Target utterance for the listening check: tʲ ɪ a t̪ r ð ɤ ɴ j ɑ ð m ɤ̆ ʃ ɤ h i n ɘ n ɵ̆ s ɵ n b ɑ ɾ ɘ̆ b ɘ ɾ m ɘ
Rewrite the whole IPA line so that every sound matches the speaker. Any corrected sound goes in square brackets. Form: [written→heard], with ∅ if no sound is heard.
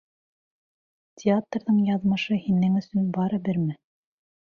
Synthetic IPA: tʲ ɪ a t̪ r ð ɤ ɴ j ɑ ð m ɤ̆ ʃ ɤ h i n ɘ [n→ŋ] ɵ̆ s ɵ n b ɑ ɾ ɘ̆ b ɘ ɾ m ɘ

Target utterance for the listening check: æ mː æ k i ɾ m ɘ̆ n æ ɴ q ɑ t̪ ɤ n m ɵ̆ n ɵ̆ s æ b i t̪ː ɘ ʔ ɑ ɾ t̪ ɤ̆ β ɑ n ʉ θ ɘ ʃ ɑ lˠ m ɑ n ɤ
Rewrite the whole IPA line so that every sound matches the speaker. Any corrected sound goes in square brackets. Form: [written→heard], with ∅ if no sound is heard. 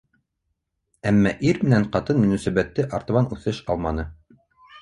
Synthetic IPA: æ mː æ [k→ʔ] i ɾ m ɘ̆ n æ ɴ q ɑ t̪ ɤ n m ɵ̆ n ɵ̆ s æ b [i→æ] t̪ː ɘ ʔ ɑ ɾ t̪ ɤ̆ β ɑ n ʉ θ ɘ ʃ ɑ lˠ m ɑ n ɤ

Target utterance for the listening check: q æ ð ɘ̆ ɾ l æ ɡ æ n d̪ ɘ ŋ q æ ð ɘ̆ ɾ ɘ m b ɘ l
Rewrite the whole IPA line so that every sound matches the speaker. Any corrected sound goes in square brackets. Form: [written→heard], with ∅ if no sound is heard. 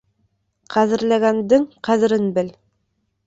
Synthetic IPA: q æ ð ɘ̆ ɾ l æ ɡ æ n d̪ ɘ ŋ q æ ð ɘ̆ ɾ ɘ [m→n] b ɘ l

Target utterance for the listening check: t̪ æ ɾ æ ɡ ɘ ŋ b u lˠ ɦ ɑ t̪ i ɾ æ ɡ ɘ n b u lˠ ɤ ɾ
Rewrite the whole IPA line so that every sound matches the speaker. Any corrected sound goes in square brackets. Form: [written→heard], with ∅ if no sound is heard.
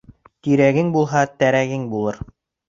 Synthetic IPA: t̪ [æ→i] ɾ æ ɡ ɘ ŋ b u lˠ ɦ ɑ t̪ [i→æ] ɾ æ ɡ ɘ [n→ŋ] b u lˠ ɤ ɾ

